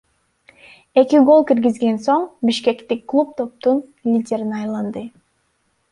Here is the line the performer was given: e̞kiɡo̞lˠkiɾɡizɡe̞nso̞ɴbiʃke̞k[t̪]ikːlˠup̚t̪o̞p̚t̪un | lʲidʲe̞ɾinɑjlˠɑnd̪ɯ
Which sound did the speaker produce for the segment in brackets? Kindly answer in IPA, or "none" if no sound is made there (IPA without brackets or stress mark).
t̪